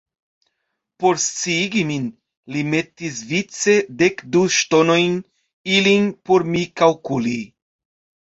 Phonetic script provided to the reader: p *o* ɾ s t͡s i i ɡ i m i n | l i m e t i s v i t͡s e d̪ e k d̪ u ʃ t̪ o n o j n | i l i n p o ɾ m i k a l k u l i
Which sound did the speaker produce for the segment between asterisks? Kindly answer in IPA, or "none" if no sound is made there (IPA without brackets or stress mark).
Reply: o